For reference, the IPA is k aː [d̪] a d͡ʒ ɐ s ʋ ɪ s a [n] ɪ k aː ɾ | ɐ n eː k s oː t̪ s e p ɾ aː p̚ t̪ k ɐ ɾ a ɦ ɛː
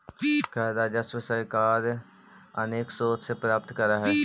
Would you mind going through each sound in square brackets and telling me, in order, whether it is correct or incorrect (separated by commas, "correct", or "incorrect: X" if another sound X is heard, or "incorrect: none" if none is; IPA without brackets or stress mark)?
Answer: correct, incorrect: none